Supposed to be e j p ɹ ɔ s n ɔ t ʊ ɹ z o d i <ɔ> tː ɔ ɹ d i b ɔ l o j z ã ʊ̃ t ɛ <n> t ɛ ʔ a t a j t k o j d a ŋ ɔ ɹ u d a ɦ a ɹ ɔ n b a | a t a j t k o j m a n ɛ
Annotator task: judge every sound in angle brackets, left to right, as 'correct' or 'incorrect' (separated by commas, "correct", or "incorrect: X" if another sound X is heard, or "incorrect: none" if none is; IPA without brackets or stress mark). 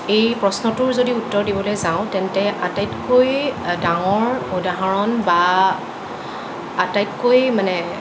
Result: incorrect: u, correct